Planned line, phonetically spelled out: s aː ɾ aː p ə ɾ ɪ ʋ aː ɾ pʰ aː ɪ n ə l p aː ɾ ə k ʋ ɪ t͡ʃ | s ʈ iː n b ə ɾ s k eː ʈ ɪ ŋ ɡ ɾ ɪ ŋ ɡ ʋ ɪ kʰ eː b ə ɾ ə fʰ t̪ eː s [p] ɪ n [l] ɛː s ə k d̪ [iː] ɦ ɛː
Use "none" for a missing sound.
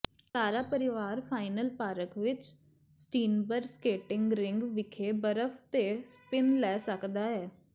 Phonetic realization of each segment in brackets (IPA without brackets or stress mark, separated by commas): p, l, aː